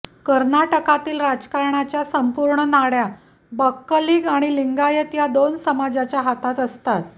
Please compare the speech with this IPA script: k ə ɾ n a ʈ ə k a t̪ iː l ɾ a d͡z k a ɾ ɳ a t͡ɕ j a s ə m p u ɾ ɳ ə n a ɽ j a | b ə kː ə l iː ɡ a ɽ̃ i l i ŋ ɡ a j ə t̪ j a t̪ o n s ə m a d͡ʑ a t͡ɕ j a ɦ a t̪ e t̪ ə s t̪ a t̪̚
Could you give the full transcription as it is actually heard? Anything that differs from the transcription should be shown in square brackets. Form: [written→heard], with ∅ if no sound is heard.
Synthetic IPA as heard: k ə ɾ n a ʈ ə k a t̪ iː l ɾ a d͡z k a ɾ ɳ a t͡ɕ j a s ə m p u ɾ ɳ ə n a ɽ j a | b ə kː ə l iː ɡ a ɽ̃ i l i ŋ ɡ a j ə t̪ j a [t̪→d̪] o n s ə m a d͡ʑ a t͡ɕ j a ɦ a t̪ [e→a] t̪ ə s t̪ a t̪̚